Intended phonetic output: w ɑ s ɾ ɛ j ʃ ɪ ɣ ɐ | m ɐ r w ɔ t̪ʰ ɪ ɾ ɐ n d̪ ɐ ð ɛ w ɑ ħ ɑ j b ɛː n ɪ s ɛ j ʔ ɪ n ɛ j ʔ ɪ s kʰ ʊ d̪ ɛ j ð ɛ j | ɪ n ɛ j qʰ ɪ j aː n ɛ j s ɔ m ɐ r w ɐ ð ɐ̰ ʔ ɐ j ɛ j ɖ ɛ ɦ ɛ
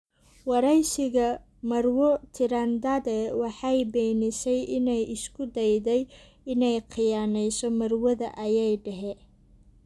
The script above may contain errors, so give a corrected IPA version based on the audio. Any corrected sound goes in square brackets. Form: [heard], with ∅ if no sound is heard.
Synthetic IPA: w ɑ [∅] ɾ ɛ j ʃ ɪ ɣ ɐ | m ɐ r w ɔ t̪ʰ ɪ ɾ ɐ n d̪ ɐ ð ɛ w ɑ ħ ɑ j b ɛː n ɪ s ɛ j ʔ ɪ n ɛ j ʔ ɪ s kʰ ʊ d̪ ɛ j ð ɛ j | ɪ n ɛ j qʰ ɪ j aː n ɛ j s ɔ m ɐ r w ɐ ð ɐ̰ ʔ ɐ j ɛ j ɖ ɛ ɦ ɛ